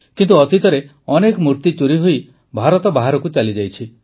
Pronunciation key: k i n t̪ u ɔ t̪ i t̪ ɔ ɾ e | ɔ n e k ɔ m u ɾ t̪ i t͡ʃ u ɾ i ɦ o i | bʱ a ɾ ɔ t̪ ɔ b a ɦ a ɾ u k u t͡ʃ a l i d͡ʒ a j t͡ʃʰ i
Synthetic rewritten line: k i n t̪ u ɔ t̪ i t̪ ɔ ɾ e | ɔ n e k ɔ m u ɾ t̪ i t͡ʃ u ɾ i ɦ o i | bʱ a ɾ ɔ t̪ ɔ b a ɦ a ɾ ɔ k u t͡ʃ a l i d͡ʒ a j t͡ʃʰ i